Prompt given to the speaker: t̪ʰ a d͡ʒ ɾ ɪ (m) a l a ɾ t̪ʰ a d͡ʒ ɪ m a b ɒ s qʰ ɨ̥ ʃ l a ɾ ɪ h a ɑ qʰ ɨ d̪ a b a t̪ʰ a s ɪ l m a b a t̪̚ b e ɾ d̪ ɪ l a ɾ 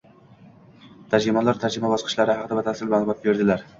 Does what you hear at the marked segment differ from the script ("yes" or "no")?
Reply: no